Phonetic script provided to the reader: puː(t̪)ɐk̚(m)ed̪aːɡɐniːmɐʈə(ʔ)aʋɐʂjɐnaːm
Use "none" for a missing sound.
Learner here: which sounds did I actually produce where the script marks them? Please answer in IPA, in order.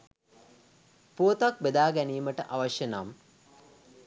t̪, b, ʔ

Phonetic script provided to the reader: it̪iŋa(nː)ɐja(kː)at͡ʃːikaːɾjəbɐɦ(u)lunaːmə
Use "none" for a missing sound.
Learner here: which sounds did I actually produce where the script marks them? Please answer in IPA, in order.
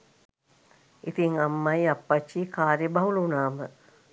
mː, pː, u

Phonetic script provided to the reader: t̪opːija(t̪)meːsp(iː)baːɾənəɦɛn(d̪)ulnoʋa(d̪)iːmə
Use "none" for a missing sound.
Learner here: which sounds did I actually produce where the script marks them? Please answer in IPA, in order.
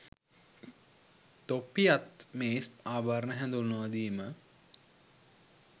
t̪, aː, d̪, d̪

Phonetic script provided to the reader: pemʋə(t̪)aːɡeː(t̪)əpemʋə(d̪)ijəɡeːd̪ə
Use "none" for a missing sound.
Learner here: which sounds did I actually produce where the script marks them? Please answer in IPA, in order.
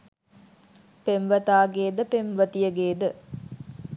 t̪, d̪, t̪

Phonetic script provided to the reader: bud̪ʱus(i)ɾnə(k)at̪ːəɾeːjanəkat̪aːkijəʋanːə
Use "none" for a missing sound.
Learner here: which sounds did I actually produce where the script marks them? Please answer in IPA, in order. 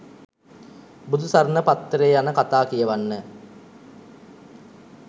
a, p

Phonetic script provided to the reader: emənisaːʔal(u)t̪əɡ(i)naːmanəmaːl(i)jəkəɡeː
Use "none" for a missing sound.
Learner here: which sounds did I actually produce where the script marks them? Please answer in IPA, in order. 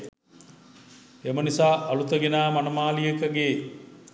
u, e, i

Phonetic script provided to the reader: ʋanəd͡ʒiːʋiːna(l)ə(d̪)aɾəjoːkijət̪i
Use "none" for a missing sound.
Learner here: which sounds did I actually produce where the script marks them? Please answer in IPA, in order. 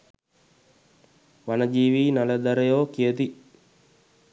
l, d̪

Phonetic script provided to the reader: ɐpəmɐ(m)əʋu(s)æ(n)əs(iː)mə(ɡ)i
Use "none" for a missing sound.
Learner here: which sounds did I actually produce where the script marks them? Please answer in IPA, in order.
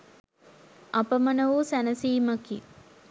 n, s, n, iː, k

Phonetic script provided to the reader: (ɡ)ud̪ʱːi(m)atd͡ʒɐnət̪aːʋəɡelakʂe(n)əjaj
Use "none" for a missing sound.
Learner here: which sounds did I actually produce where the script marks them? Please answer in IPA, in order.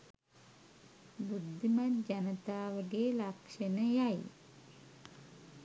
b, m, n

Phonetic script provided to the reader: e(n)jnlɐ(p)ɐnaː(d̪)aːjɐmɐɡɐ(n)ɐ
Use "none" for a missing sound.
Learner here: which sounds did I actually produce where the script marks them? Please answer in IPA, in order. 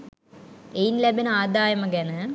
none, b, d̪, n

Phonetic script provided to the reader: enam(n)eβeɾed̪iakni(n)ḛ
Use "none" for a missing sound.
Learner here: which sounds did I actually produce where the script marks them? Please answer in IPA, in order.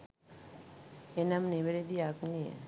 n, none

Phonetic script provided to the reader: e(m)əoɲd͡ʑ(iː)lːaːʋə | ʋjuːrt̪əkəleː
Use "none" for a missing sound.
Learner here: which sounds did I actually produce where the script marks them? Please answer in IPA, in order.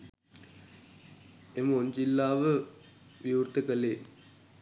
m, i

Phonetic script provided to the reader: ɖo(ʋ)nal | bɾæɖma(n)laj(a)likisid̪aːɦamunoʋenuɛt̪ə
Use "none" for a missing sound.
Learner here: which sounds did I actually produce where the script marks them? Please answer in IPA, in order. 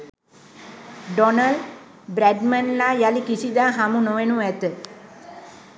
none, n, a

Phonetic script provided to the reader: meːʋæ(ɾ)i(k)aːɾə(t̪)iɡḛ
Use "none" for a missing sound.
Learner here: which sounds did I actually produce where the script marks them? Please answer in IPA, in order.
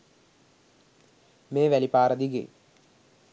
l, p, d̪

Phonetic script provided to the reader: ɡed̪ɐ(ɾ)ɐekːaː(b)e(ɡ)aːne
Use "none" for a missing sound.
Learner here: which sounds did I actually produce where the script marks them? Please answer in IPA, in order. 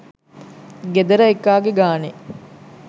ɾ, ɡ, ɡ

